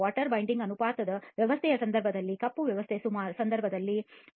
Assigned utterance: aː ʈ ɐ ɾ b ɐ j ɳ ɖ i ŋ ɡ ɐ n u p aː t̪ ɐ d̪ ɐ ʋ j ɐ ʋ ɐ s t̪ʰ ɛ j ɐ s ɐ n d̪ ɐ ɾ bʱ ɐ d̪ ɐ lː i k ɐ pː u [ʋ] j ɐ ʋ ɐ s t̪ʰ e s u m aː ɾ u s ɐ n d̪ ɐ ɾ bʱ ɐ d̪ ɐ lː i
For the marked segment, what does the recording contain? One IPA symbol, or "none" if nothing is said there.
ʋ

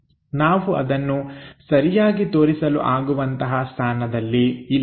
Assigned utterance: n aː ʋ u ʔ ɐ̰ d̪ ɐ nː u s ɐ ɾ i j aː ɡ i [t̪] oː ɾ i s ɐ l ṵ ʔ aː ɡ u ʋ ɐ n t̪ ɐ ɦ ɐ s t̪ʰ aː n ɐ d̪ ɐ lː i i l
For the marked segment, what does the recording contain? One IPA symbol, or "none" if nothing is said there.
t̪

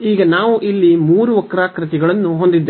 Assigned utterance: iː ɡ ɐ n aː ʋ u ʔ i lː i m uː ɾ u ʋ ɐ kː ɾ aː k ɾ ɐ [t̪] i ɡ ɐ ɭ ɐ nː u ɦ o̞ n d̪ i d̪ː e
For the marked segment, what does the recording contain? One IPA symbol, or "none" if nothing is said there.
t̪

